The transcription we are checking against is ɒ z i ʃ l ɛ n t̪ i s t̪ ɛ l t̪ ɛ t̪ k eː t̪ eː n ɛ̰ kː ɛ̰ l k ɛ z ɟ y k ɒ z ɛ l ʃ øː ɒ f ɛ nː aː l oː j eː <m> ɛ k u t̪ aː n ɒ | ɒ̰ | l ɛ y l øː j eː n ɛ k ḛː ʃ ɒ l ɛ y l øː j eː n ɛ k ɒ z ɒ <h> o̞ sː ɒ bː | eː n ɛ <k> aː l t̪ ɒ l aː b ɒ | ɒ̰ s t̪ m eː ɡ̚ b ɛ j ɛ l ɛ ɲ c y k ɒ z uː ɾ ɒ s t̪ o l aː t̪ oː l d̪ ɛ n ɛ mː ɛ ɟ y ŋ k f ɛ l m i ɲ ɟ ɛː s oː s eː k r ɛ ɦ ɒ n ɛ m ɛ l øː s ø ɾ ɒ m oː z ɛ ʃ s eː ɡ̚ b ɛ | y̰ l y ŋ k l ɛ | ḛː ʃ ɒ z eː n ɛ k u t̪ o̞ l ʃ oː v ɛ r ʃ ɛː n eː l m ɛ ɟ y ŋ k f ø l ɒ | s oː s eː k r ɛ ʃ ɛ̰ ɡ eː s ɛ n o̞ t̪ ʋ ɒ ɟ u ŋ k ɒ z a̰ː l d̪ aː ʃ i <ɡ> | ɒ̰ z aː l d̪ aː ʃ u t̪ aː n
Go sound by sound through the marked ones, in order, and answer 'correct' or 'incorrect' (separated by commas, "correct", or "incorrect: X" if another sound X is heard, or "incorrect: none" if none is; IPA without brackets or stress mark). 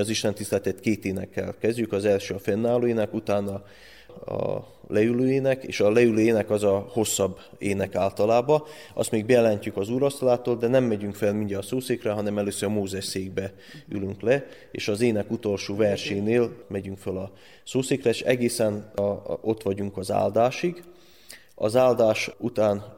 incorrect: n, correct, correct, correct